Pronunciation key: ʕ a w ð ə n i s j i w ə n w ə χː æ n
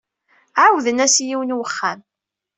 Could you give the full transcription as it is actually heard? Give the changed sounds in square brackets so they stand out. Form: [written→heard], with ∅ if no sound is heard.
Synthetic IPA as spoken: ʕ a w ð ə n [i→æ] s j i w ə n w ə χː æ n